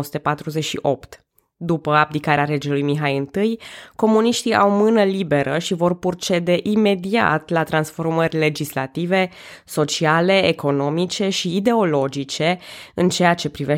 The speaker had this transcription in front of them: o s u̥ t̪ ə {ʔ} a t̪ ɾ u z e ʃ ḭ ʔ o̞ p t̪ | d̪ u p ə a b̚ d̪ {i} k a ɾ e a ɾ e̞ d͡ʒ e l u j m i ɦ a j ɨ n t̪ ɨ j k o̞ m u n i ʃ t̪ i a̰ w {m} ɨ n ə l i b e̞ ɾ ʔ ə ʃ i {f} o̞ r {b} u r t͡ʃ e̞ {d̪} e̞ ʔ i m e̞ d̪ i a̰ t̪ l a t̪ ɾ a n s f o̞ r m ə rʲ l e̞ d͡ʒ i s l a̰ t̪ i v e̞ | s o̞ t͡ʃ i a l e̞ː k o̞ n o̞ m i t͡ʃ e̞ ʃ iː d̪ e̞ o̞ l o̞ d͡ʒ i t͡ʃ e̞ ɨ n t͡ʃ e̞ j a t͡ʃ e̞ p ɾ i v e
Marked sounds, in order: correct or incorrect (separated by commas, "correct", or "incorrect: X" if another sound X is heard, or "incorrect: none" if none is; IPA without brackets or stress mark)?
incorrect: p, correct, correct, incorrect: v, incorrect: p, correct